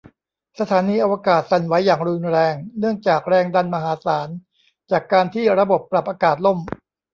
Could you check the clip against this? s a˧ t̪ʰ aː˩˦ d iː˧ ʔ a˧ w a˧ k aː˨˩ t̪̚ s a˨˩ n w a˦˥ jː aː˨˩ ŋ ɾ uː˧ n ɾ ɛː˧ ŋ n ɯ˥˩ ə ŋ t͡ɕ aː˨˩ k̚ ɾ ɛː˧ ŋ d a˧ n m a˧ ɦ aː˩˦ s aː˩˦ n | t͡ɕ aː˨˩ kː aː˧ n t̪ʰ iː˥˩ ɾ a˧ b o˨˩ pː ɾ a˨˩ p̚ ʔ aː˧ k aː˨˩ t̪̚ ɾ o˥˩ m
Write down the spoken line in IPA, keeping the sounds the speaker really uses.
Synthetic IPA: s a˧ t̪ʰ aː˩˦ n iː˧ ʔ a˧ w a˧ k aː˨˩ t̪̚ s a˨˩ n w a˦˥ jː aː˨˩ ŋ ɾ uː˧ n ɾ ɛː˧ ŋ n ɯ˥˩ ə ŋ t͡ɕ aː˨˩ k̚ ɾ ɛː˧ ŋ d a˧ n m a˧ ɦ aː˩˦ s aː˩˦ n | t͡ɕ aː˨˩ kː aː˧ n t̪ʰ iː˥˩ ɾ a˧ b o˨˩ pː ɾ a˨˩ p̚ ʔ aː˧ k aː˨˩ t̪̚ l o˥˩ m